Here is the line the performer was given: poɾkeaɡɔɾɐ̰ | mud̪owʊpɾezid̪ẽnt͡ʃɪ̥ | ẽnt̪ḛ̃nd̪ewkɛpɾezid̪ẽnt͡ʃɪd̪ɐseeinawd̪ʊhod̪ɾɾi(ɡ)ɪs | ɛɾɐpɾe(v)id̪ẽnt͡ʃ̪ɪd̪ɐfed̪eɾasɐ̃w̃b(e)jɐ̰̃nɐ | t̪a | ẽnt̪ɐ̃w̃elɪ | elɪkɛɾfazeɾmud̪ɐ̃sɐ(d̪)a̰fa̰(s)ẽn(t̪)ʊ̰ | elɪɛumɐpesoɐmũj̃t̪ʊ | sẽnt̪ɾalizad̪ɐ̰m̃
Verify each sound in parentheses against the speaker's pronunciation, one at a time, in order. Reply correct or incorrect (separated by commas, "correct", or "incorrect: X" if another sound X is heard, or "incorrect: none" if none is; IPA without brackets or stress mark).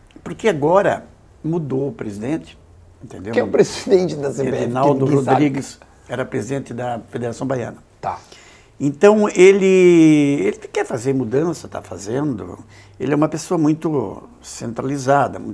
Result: correct, incorrect: z, incorrect: a, incorrect: t̪, incorrect: z, incorrect: d̪